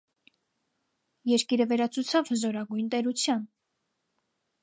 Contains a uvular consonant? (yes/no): no